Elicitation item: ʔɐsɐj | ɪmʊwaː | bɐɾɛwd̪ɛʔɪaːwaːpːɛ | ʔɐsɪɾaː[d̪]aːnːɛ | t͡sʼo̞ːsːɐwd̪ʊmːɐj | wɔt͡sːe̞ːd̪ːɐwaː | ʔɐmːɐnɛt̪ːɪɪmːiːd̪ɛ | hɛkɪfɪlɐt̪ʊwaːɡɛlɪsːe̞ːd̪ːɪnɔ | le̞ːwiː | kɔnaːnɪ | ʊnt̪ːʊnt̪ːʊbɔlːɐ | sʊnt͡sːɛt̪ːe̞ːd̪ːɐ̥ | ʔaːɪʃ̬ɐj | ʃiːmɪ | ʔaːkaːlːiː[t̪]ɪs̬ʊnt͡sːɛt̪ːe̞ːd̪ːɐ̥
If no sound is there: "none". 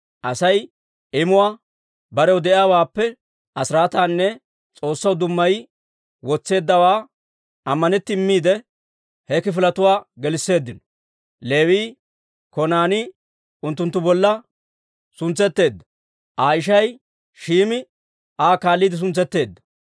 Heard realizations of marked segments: t̪, d̪

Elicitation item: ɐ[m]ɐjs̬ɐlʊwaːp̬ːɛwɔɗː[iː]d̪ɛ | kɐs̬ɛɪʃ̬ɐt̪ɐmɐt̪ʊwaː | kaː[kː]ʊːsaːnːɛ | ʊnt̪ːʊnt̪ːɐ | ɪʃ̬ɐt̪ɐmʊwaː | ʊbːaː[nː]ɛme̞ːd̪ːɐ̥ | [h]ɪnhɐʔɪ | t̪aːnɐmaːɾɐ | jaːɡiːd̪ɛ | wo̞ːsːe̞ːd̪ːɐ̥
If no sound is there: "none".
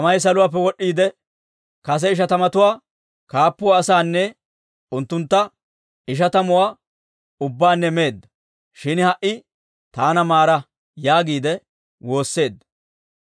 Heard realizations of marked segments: m, iː, pː, nː, ʃ

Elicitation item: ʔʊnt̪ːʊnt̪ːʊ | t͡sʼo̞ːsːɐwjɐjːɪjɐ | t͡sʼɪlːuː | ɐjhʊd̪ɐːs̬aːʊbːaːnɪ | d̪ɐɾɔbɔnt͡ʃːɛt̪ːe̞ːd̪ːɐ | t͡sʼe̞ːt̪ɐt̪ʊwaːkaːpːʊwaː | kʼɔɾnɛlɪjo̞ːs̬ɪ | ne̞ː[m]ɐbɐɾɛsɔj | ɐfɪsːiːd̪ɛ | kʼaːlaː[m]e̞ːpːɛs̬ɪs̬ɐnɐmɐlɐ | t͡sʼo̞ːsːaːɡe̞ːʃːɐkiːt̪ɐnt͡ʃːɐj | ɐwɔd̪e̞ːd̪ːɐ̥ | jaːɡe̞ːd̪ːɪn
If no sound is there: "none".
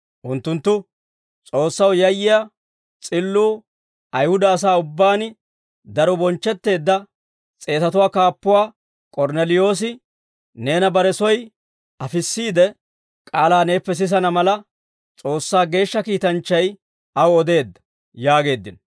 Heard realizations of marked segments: n, n

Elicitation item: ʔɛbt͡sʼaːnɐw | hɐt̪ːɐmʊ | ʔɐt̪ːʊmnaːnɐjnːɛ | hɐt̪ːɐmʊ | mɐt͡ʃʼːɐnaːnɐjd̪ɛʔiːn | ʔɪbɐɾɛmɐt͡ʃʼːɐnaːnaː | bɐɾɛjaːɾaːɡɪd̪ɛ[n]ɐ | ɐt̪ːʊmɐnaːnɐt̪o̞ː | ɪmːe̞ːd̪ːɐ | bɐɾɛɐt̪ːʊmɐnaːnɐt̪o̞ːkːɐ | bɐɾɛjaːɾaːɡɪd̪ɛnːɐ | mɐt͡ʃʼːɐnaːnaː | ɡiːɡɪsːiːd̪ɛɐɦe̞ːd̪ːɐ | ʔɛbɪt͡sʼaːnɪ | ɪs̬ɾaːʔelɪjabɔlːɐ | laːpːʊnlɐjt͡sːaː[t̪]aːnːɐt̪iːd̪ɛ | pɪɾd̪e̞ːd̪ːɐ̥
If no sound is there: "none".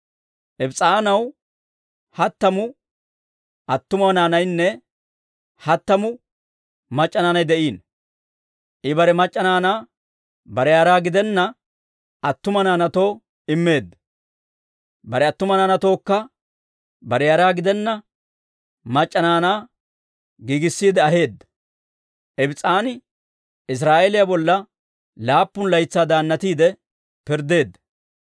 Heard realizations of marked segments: nː, d̪

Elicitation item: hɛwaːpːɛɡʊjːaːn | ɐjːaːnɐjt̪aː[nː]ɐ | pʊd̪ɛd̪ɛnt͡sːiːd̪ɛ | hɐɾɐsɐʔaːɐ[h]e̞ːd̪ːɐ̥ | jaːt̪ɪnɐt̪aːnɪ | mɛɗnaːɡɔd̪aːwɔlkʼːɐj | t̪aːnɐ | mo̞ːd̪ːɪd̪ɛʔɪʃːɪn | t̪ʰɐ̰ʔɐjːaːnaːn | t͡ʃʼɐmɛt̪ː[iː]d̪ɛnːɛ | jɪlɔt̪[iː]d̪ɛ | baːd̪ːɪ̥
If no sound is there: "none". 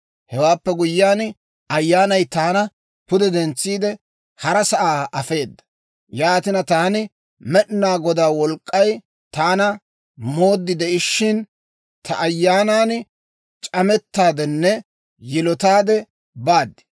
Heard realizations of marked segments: n, f, aː, aː

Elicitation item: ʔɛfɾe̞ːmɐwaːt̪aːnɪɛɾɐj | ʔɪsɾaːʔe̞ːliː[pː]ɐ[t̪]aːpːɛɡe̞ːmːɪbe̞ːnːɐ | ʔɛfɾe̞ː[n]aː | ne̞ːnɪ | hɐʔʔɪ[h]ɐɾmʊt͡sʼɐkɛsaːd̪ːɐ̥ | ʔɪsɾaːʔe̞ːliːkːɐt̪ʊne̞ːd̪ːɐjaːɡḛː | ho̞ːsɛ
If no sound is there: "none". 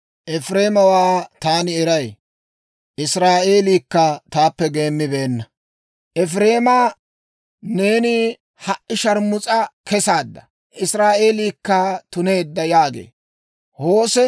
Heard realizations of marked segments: kː, t̪, m, ʃ

